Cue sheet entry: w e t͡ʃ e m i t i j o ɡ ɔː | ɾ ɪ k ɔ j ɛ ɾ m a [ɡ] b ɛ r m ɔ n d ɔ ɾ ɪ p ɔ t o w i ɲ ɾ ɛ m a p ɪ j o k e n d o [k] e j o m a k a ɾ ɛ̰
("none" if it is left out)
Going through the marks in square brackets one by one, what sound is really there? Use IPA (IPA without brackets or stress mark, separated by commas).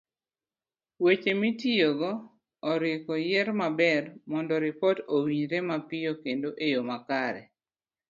none, ʔ